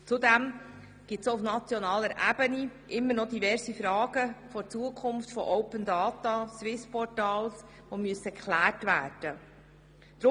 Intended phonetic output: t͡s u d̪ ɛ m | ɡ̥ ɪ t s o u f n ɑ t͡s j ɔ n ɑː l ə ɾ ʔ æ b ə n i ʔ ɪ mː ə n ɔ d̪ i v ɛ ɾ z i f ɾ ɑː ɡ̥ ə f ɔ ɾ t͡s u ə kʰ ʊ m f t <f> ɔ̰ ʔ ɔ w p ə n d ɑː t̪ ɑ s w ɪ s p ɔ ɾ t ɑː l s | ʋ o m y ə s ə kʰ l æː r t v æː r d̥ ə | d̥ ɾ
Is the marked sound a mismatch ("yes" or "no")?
no